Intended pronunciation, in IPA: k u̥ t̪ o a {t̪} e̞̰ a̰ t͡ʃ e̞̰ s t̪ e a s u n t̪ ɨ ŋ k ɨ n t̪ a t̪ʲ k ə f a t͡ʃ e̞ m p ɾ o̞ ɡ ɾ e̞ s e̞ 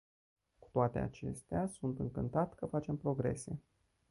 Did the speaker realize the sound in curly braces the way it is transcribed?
yes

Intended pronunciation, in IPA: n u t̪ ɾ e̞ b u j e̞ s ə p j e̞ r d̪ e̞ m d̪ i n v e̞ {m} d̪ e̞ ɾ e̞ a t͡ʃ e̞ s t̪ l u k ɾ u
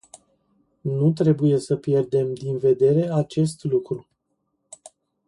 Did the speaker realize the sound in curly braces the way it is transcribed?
no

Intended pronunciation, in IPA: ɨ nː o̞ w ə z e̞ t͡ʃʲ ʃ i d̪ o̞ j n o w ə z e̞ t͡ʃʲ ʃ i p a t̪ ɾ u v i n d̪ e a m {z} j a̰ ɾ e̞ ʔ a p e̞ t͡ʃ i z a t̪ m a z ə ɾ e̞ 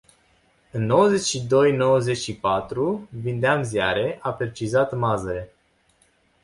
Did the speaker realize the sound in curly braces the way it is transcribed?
yes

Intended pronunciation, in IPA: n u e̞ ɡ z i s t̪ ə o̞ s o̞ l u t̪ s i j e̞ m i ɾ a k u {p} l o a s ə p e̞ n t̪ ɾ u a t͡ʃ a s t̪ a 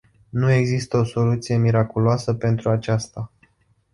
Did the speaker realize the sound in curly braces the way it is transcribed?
no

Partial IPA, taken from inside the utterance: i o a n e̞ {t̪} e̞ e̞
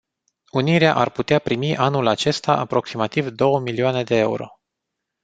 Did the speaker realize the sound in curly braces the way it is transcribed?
no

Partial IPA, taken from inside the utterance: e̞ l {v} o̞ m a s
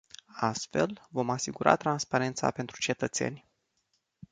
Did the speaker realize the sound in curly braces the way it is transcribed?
yes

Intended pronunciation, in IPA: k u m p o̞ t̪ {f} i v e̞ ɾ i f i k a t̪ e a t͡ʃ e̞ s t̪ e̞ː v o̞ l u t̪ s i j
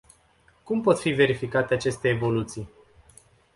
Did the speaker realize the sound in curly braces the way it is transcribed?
yes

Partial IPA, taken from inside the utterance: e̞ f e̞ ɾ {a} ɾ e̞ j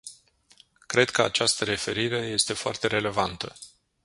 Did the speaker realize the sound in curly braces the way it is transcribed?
no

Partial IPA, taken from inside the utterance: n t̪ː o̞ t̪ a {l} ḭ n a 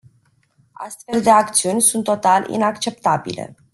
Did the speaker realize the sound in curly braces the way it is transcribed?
yes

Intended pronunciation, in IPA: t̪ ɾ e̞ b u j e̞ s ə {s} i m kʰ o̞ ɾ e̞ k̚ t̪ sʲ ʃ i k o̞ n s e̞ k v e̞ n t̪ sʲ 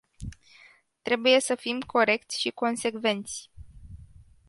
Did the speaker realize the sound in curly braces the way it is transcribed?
no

